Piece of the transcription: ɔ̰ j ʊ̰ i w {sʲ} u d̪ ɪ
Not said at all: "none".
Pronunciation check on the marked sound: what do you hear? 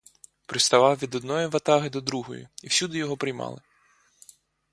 sʲ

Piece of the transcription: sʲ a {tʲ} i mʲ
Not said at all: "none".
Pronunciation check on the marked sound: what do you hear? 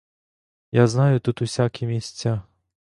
kʲ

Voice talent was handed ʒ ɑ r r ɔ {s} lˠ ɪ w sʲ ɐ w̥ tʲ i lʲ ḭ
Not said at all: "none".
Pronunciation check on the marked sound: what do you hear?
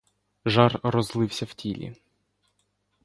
z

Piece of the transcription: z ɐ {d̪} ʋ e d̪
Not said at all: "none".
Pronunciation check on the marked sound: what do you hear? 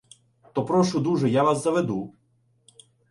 none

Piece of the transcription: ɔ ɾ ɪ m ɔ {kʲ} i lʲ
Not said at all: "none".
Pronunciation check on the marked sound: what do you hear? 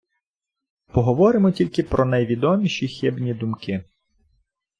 tʲ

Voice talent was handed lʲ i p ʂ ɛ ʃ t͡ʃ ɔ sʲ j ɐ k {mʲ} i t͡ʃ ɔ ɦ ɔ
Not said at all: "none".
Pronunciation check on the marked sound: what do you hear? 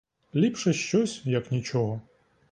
nʲ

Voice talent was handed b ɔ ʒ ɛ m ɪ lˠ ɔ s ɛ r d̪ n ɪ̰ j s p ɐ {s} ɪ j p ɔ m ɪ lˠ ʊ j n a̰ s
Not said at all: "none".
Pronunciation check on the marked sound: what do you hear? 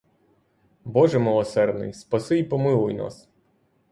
s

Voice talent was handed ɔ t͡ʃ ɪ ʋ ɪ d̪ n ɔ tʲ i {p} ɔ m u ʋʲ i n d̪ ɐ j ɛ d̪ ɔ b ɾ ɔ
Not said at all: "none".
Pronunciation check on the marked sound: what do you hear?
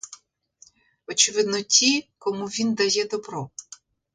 k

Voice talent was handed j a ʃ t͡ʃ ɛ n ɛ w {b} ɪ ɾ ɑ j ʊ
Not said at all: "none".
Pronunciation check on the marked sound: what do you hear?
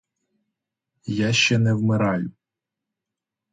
m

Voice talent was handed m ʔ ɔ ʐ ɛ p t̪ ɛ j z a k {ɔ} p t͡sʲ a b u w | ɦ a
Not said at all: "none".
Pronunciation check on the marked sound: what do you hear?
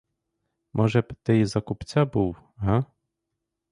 u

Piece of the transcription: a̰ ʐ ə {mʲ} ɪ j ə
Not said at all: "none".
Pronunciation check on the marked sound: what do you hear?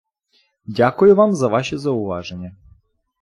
nʲ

